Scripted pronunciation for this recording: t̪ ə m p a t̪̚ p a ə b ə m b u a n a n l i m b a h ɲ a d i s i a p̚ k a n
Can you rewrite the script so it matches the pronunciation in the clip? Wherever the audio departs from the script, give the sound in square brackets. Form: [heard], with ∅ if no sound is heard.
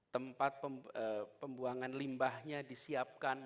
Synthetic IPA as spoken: t̪ ə m p a t̪̚ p [ə] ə [p] ə m b u a [ŋ] a n l i m b a h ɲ a d i s i a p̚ k a n

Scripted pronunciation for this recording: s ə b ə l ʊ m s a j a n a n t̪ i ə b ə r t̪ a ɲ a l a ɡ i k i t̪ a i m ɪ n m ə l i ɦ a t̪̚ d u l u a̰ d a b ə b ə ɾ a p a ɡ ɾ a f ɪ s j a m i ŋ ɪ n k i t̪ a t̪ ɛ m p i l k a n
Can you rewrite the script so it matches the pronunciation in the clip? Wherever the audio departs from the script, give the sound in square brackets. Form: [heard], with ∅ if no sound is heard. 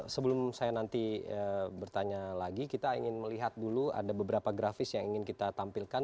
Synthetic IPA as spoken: s ə b ə l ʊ m s a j a n a n t̪ i ə b ə r t̪ a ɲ a l a ɡ i k i t̪ a i [ŋ] ɪ n m ə l i ɦ a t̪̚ d u l u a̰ d a b ə b ə ɾ a p a ɡ ɾ a f ɪ s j a [ŋ] i ŋ ɪ n k i t̪ a t̪ [a] m p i l k a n

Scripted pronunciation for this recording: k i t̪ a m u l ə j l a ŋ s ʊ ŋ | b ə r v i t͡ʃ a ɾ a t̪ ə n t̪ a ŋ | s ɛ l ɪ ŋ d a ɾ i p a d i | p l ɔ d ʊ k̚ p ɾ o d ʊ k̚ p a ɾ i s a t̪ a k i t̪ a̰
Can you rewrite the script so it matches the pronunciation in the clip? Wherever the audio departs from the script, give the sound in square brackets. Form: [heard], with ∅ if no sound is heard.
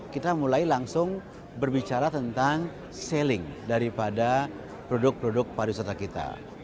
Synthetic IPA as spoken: k i t̪ a m u l [a] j l a ŋ s ʊ ŋ | b ə r [b] i t͡ʃ a ɾ a t̪ ə n t̪ a ŋ | s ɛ l ɪ ŋ d a ɾ i p a d [a] | p [ɾ] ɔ d ʊ k̚ p ɾ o d ʊ k̚ p a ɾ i s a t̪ a k i t̪ a̰

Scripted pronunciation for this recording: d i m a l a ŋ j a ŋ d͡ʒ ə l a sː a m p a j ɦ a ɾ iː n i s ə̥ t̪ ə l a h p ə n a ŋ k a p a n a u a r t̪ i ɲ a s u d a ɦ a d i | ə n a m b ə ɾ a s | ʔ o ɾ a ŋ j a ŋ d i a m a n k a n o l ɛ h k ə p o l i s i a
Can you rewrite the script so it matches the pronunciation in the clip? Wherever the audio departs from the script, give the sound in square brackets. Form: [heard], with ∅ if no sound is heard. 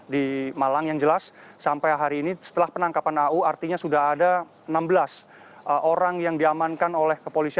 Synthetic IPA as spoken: d i m a l a ŋ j a ŋ d͡ʒ ə l a sː a m p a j ɦ a ɾ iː n i s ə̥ t̪ ə l a h p ə n a ŋ k a p a n a u a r t̪ i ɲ a s u d a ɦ a d [a] | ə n a m b ə [l] a s | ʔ o ɾ a ŋ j a ŋ d i a m a n k a n o l ɛ h k ə p o l i s i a

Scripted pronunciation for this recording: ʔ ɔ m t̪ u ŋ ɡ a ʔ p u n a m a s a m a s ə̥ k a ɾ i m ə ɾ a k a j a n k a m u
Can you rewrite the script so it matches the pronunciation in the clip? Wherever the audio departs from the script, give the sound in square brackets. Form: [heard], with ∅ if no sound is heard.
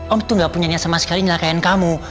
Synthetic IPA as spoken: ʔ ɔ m t̪ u ŋ ɡ a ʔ p u [ɲ] a [ɲ] a s a m a s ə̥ k a [l] i [ɲ] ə [l] a k a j a n k a m u

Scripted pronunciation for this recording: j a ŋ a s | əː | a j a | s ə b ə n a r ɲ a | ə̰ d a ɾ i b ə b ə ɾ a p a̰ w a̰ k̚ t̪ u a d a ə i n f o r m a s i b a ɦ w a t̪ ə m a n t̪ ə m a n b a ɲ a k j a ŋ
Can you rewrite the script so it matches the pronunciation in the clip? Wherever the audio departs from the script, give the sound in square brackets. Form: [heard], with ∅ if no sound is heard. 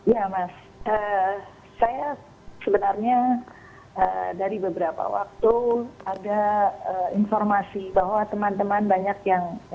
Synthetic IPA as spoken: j a [m] a s | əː | a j a | s ə b ə n a r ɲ a | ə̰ d a ɾ i b ə b ə ɾ a p a̰ w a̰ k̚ t̪ u a d a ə i n f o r m a s i b a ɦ w a t̪ ə m a n t̪ ə m a n b a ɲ a k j a ŋ

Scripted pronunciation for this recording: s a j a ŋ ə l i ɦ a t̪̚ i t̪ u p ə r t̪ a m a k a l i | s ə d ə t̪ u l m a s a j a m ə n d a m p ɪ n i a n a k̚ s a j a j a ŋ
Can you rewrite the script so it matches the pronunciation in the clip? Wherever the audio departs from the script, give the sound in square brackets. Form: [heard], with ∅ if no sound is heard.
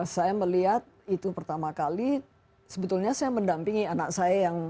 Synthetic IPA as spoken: s a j a [m] ə l i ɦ a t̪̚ i t̪ u p ə r t̪ a m a k a l i | s ə [b] ə t̪ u l [ɲ] a s a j a m ə n d a m p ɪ [ŋ] i a n a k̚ s a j a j a ŋ

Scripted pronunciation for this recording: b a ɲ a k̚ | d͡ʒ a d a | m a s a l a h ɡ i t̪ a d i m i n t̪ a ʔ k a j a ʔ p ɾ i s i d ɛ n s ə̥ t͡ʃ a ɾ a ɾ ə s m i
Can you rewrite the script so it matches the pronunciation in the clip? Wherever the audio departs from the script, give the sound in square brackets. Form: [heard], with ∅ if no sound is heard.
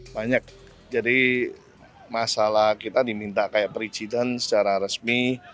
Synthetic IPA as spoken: b a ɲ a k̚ | d͡ʒ a d [i] | m a s a l a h [k] i t̪ a d i m i n t̪ a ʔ k a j a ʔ p ɾ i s i d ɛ n s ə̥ t͡ʃ a ɾ a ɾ ə s m i

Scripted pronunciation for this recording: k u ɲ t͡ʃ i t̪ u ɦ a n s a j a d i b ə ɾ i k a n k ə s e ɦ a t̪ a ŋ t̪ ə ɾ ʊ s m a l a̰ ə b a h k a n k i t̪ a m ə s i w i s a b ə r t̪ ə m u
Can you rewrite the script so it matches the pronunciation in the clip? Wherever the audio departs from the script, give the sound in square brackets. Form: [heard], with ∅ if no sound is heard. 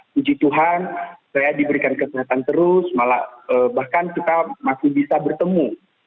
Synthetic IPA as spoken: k u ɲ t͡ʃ i t̪ u ɦ a n s a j a d i b ə ɾ i k a n k ə s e ɦ a t̪ a [n] t̪ ə ɾ ʊ s m a l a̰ ə b a h k a n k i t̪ a m [a] s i [b] i s a b ə r t̪ ə m u

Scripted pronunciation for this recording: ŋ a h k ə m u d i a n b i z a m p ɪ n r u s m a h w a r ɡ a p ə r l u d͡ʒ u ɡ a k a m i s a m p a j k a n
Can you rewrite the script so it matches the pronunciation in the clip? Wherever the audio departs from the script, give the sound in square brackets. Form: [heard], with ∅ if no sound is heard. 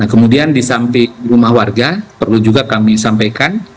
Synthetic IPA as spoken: [n] a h k ə m u d i a n [d] i [s] a m p ɪ [ŋ] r u [∅] m a h w a r ɡ a p ə r l u d͡ʒ u ɡ a k a m i s a m p a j k a n

